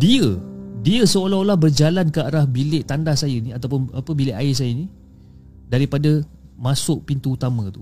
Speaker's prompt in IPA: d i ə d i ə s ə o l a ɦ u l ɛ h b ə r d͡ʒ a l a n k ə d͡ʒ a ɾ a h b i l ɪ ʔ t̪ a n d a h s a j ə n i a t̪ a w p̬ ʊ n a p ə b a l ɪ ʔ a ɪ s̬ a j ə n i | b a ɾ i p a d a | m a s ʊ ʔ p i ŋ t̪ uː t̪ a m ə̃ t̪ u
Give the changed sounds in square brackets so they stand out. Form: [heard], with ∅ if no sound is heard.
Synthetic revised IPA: d i ə d i ə s ə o l a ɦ [o] l [a] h b ə r d͡ʒ a l a n k ə [∅] a ɾ a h b i l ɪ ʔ t̪ a n d a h s a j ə n i a t̪ a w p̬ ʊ n a p ə b [i] l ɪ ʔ a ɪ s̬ a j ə n i | [d] a ɾ i p a d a | m a s ʊ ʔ p i [n] t̪ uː t̪ a m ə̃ t̪ u